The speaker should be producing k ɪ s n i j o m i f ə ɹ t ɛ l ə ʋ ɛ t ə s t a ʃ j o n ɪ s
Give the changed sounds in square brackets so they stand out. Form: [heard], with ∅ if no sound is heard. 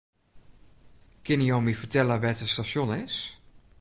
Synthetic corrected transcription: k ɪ [∅] n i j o m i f ə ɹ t ɛ l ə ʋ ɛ t ə s t a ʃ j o n ɪ s

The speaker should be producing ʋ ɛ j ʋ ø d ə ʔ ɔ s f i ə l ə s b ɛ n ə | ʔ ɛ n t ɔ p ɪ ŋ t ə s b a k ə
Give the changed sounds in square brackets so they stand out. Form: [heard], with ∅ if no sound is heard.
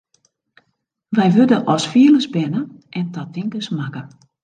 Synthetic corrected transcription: ʋ ɛ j ʋ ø d ə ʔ ɔ s f i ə l ə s b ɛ n ə | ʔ ɛ n t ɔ [t] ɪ ŋ [k] ə s [m] a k ə

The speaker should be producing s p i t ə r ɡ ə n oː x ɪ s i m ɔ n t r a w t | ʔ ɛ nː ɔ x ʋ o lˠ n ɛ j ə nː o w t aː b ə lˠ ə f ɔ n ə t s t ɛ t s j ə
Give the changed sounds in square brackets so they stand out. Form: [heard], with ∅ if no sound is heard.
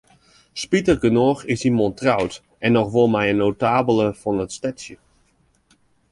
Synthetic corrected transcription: s p i t ə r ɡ ə n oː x ɪ s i m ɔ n t r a w t | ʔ ɛ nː ɔ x ʋ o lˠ [m] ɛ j ə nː o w t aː b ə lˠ ə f ɔ n ə t s t ɛ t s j ə

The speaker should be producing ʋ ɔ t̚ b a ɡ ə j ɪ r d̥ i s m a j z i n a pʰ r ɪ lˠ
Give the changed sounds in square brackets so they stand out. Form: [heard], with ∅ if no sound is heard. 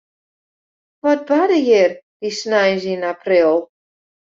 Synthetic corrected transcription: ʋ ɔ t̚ b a [d] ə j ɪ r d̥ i s [n] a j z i n a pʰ r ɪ lˠ

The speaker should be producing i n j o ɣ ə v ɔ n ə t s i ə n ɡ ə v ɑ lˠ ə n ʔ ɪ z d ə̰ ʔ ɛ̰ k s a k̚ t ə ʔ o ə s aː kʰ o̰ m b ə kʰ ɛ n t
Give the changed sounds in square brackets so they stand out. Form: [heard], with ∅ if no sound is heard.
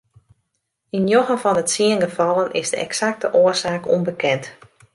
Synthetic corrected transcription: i n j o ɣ ə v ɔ n ə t s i ə n ɡ ə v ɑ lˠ ə n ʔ ɪ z d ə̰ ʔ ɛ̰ k s a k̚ t ə ʔ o ə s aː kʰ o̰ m b ə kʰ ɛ n t

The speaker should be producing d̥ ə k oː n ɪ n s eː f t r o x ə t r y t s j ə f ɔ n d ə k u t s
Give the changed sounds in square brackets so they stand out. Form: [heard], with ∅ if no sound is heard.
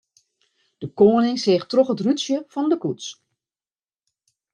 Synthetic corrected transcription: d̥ ə k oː n ɪ [ŋ] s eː [x] t r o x ə t r y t s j ə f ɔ n d ə k u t s

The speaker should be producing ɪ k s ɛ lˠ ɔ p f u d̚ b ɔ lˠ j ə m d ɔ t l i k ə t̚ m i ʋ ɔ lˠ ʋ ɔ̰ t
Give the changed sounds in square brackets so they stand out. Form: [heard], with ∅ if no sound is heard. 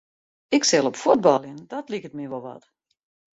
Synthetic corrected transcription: ɪ k s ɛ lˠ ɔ p f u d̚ b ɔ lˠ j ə [n] d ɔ t l i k ə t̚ m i ʋ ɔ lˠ ʋ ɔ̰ t

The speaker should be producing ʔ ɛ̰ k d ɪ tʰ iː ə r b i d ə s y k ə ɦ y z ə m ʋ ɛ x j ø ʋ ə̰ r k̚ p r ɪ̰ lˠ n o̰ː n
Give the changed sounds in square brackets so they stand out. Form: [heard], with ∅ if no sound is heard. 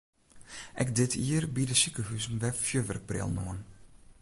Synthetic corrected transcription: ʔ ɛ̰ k d ɪ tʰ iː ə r b i d ə s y k ə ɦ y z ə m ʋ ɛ [f] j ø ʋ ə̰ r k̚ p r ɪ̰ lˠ n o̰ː n

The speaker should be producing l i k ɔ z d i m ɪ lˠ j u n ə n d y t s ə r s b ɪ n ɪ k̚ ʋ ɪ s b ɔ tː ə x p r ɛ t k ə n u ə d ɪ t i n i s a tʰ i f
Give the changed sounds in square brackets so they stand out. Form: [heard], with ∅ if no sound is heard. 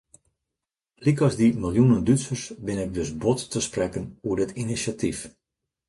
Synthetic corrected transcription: l i k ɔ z d i m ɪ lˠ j u n ə n d y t s ə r s b ɪ n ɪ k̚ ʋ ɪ s b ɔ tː ə [s] p r ɛ [∅] k ə n u ə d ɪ t i n i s a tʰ i f

